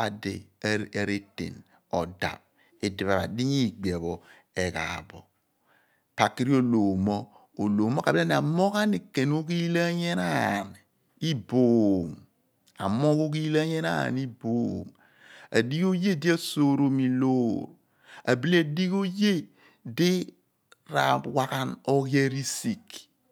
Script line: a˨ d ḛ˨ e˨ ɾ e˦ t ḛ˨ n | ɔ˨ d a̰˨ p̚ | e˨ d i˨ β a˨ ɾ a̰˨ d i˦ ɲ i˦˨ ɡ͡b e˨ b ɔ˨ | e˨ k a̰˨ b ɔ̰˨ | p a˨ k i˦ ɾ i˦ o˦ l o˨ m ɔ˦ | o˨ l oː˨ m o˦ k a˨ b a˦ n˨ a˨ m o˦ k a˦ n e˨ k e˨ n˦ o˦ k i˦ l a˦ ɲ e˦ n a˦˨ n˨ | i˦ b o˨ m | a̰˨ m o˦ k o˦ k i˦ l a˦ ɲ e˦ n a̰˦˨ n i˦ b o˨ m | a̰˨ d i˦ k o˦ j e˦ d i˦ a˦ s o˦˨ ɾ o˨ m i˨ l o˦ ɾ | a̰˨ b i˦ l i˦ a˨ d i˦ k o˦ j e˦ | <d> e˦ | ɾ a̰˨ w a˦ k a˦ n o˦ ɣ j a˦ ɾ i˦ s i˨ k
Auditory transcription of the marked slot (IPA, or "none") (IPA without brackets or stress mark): d